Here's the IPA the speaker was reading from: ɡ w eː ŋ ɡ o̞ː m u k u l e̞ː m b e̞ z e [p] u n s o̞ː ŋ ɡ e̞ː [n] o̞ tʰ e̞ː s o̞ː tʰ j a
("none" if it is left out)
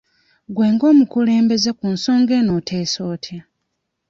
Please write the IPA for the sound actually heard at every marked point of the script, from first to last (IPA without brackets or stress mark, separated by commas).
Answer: k, n